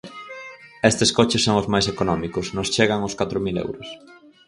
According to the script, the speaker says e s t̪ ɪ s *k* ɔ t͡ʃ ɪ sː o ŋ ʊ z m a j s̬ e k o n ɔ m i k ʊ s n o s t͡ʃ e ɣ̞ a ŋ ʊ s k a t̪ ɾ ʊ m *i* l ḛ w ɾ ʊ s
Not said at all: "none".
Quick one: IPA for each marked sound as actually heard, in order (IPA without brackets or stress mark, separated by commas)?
k, i